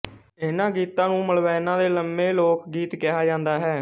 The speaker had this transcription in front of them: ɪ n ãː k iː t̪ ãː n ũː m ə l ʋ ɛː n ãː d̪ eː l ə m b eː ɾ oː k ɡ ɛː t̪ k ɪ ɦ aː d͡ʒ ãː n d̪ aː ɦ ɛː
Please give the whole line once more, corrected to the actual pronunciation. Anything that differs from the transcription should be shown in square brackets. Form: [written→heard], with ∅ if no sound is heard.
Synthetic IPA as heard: ɪ n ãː [k→ɡ] iː t̪ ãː n ũː m ə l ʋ ɛː n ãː d̪ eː l ə m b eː [ɾ→l] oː k ɡ [ɛː→iː] t̪ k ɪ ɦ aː d͡ʒ ãː n d̪ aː ɦ ɛː